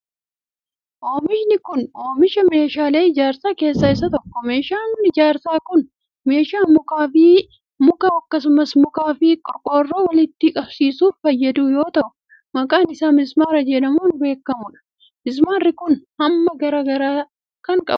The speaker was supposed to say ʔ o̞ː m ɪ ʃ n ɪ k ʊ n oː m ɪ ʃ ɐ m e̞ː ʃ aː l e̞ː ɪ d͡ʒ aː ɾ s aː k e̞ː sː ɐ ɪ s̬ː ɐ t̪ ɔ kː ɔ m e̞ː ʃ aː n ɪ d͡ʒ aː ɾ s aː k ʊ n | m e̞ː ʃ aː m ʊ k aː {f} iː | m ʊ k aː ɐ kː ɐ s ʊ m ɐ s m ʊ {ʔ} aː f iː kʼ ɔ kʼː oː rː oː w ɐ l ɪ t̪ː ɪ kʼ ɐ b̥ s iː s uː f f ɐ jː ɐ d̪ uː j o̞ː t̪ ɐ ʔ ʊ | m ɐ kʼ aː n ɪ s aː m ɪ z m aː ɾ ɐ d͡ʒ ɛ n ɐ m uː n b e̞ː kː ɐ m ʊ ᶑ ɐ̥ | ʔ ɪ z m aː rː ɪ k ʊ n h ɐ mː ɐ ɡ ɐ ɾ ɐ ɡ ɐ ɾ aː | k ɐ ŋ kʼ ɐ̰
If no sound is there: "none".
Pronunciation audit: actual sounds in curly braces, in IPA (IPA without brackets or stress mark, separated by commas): f, k